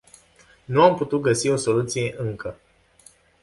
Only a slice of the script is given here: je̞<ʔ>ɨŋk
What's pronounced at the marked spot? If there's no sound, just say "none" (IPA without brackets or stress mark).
ʔ